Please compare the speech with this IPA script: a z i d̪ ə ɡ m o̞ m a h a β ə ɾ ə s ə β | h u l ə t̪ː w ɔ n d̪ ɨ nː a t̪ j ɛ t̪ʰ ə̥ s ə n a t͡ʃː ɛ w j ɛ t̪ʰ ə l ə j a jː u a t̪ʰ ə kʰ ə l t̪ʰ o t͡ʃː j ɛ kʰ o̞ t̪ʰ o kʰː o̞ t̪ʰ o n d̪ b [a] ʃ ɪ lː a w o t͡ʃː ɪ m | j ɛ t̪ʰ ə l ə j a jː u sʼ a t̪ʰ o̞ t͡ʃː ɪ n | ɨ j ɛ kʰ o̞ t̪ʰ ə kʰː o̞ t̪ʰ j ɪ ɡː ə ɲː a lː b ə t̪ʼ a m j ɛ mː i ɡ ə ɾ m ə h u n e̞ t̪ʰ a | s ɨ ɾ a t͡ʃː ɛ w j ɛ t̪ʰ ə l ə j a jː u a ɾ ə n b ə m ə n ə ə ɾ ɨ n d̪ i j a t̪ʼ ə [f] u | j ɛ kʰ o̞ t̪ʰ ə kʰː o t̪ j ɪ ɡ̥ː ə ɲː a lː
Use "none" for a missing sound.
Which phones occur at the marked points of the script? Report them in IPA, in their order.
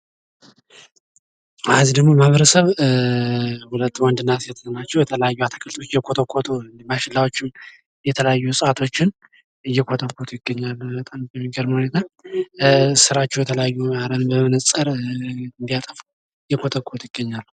a, f

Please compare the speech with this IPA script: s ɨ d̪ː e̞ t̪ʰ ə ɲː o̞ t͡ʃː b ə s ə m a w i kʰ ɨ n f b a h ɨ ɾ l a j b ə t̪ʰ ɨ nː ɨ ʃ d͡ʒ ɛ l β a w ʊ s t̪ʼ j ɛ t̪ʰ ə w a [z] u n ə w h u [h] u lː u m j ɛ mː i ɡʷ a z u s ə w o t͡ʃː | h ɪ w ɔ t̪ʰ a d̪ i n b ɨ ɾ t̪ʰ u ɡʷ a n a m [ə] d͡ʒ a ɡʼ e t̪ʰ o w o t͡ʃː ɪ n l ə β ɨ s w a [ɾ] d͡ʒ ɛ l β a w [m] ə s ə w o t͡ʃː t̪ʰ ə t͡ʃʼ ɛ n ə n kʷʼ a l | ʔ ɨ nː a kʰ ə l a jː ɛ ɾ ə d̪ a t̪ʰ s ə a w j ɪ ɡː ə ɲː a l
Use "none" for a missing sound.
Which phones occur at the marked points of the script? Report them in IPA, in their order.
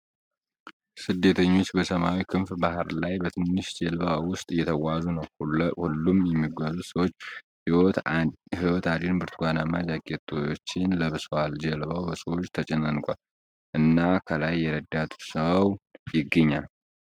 z, h, a, l, b

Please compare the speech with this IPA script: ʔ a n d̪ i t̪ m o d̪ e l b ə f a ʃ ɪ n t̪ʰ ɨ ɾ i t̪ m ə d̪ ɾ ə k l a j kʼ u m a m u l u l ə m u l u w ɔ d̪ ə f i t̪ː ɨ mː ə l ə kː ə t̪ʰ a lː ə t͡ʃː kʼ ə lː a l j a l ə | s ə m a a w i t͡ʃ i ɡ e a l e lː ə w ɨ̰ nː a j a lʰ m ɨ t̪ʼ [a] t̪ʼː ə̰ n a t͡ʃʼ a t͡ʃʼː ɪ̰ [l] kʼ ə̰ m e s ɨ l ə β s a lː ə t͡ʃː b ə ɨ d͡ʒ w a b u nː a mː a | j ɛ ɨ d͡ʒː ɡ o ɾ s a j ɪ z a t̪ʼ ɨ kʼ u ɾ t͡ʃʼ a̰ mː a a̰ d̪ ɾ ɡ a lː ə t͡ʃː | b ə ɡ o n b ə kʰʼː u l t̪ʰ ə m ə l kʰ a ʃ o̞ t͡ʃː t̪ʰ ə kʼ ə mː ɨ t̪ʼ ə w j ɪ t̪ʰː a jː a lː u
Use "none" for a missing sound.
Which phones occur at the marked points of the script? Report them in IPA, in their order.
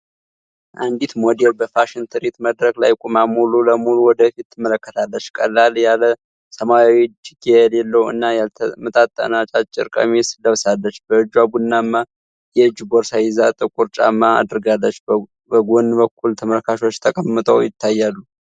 a, ɾ

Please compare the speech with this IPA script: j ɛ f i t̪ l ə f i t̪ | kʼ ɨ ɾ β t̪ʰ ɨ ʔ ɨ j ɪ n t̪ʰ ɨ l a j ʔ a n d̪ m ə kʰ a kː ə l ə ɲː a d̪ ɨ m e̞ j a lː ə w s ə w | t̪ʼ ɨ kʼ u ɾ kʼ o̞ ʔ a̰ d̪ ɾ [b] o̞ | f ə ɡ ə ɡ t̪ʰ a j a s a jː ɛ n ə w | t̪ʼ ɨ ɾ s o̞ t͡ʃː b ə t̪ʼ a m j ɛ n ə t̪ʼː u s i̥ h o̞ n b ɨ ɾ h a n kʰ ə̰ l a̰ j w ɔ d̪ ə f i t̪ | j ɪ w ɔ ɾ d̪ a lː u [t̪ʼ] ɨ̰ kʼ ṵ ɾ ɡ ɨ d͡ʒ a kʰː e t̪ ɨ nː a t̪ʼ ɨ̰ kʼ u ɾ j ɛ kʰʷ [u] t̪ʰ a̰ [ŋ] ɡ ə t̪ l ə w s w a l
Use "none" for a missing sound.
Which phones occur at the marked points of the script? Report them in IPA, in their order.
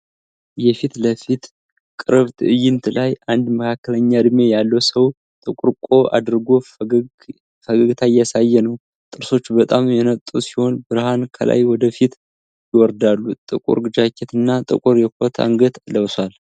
ɡ, t̪ʼ, o, ŋ

